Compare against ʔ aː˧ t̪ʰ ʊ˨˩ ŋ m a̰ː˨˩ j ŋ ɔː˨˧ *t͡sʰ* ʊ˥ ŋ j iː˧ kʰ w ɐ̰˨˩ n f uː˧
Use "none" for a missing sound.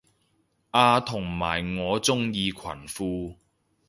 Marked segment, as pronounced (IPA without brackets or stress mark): t͡s